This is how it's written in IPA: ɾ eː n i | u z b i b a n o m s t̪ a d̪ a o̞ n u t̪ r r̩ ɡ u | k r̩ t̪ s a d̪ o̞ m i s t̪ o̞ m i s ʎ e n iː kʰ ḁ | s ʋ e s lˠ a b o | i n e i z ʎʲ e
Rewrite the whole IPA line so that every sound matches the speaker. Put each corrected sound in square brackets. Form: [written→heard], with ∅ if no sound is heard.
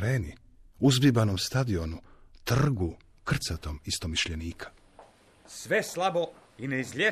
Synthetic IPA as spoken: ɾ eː n i | u z b i b a n o m s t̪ a d̪ [a→i] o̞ n u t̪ r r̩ ɡ u | k r̩ t̪ s a [d̪→t̪] o̞ m i s t̪ o̞ m i [s→ʃ] ʎ e n iː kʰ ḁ | s ʋ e s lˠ a b o | i n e i z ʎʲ e